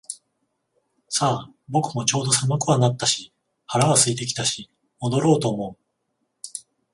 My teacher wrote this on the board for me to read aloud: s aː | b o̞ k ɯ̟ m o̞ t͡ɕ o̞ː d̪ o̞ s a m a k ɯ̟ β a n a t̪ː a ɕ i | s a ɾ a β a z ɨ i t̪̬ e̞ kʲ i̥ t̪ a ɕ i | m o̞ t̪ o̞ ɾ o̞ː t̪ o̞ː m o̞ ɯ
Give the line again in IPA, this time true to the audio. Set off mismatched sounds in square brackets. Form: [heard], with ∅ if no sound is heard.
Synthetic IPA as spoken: s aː | b o̞ k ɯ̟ m o̞ t͡ɕ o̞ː d̪ o̞ s a m a k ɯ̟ β a n a t̪ː a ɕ i | [h] a ɾ a β a [s] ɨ i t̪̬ e̞ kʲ i̥ t̪ a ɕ i | m o̞ [d̪] o̞ ɾ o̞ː t̪ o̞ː m o̞ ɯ